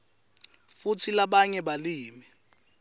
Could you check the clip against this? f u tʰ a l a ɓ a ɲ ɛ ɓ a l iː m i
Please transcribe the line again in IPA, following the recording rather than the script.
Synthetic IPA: f u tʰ i l a ɓ a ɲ ɛ ɓ a l iː m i